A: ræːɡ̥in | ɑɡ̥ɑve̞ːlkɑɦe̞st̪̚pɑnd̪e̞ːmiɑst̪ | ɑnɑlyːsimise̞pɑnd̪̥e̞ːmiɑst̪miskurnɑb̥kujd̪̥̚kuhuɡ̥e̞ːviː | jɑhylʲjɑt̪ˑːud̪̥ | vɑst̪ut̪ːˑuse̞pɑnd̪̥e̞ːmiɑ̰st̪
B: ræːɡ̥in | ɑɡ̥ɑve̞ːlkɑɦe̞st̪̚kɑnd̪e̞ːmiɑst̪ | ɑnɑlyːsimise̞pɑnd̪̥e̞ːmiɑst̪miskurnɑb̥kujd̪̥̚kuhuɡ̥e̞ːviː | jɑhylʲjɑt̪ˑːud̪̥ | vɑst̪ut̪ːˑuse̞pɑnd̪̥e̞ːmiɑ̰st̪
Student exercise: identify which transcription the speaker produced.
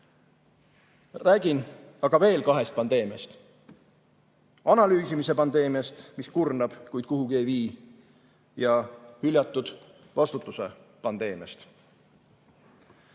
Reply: A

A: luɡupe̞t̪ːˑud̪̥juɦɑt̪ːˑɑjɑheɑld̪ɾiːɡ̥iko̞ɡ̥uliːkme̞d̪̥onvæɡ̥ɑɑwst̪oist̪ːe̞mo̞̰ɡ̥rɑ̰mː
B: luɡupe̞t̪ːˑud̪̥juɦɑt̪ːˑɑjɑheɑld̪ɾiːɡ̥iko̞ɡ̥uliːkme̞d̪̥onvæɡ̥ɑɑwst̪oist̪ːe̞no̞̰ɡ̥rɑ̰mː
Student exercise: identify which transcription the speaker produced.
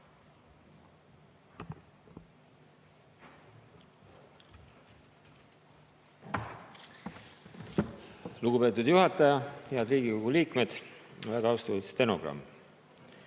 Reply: B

